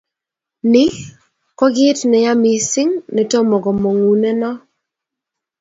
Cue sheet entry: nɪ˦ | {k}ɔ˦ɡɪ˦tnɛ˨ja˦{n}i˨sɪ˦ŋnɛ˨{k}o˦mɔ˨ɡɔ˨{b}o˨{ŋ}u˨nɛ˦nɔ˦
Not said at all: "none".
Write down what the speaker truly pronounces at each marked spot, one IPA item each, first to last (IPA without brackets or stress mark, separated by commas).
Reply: k, m, t, m, ŋ